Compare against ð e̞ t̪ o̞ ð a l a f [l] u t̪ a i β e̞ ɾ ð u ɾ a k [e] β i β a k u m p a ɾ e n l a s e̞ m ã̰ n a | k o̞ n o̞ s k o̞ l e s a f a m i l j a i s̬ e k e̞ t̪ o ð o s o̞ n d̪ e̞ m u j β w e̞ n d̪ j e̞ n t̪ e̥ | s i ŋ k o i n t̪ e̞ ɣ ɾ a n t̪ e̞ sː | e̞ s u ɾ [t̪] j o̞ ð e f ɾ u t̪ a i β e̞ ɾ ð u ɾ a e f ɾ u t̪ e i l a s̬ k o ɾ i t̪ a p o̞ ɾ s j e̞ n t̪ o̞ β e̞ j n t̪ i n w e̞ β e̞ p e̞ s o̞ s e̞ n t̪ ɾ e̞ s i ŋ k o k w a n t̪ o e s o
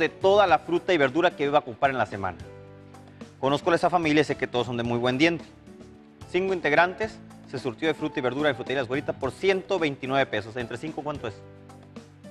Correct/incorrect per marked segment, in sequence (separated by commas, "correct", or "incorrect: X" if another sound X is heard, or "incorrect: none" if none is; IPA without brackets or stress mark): incorrect: ɾ, correct, correct